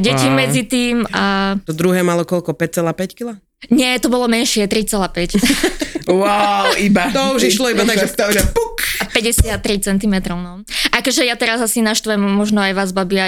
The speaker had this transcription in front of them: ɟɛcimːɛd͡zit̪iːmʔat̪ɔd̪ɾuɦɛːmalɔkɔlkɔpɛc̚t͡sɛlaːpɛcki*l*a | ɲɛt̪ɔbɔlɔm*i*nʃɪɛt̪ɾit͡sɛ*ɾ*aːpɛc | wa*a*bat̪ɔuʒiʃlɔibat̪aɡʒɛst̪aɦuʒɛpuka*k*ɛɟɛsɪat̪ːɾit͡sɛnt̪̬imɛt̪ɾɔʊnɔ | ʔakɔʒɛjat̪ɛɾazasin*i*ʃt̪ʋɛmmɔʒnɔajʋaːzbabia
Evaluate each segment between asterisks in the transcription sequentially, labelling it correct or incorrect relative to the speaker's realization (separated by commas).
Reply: correct, incorrect, incorrect, incorrect, incorrect, incorrect